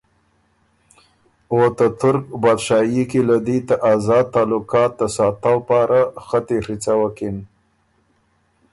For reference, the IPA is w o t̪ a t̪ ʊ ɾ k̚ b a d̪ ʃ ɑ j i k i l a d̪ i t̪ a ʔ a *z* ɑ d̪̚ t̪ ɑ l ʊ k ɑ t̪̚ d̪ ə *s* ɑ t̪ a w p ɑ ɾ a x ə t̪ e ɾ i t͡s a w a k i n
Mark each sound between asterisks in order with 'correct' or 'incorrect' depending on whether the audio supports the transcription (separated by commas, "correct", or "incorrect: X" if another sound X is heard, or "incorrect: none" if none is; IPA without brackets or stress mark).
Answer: correct, correct